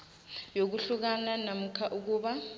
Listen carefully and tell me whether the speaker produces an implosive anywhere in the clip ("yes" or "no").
yes